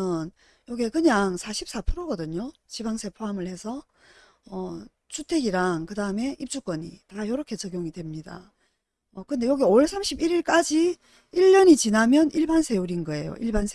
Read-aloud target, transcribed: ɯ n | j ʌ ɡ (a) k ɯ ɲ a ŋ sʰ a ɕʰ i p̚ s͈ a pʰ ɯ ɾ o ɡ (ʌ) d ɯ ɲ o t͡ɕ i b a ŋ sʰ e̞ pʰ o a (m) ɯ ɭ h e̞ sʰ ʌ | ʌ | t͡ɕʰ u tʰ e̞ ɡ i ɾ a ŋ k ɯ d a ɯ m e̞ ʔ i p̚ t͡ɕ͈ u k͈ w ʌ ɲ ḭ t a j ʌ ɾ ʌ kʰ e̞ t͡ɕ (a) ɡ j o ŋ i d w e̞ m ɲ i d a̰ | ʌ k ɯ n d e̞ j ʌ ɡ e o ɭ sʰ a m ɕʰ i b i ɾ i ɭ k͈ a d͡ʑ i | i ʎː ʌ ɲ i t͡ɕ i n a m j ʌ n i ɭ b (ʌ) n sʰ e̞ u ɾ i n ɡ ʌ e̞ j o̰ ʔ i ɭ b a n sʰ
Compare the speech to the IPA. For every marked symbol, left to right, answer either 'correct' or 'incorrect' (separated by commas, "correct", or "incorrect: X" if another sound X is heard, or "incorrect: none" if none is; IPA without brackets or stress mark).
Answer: incorrect: e, correct, correct, incorrect: ʌ, incorrect: a